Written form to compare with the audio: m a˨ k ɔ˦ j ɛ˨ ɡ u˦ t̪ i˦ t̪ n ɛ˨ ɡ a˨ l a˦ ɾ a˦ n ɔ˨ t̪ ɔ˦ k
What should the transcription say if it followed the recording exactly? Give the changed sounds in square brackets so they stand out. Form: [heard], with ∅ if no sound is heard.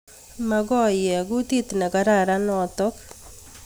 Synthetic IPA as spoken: m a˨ [ɡ] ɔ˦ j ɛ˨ ɡ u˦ t̪ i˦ t̪ n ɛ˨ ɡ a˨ [ɾ] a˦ ɾ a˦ n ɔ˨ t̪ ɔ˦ k